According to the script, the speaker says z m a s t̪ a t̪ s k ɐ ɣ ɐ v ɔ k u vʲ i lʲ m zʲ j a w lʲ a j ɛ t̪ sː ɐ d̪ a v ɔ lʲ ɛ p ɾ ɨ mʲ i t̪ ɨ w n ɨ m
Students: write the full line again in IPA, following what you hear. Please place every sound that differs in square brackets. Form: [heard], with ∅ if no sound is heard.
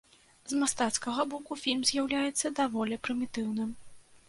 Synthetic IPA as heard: z m a s t̪ a t̪ s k ɐ ɣ ɐ [b] ɔ k u [fʲ] i lʲ m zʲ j a w lʲ a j ɛ t̪ sː ɐ d̪ a v ɔ lʲ ɛ p ɾ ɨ mʲ i t̪ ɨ w n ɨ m